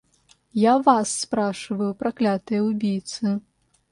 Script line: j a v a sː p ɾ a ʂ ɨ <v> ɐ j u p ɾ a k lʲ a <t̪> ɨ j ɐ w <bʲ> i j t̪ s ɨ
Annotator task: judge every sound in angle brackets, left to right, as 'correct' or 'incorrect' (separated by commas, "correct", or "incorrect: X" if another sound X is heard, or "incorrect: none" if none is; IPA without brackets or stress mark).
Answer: correct, correct, correct